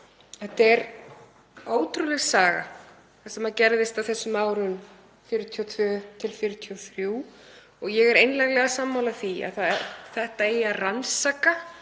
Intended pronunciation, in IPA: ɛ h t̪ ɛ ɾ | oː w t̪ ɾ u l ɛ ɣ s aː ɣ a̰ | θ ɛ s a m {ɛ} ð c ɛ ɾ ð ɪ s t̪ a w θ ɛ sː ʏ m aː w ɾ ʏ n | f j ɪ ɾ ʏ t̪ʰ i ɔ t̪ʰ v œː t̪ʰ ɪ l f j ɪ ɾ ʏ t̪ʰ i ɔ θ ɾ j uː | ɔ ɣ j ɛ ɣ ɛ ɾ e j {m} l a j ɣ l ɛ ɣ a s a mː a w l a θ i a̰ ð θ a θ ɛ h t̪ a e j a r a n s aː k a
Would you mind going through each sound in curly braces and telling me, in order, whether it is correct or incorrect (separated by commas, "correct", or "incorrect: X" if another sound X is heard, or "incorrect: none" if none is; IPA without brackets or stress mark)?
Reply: incorrect: a, incorrect: n